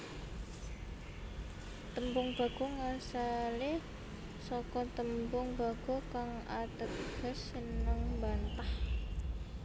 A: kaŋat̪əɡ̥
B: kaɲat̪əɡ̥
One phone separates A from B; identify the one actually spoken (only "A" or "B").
A